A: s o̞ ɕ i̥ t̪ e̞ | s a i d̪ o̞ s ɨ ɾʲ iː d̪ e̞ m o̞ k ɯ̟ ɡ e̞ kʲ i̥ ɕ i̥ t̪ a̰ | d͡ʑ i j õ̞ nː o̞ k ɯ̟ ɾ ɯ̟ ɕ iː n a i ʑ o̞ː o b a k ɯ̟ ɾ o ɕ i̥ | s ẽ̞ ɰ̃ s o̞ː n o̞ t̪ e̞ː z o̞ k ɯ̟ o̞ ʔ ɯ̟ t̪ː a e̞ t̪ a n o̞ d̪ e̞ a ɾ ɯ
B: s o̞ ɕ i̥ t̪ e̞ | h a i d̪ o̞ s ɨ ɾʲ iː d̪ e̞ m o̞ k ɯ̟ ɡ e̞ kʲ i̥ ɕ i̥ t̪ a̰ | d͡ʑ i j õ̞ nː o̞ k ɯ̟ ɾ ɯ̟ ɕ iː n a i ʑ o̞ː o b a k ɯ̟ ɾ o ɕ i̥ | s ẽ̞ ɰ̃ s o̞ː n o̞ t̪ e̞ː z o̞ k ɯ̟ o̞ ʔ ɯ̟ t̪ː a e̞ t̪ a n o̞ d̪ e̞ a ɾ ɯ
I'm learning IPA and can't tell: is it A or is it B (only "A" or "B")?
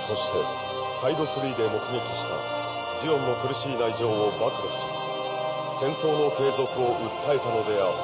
A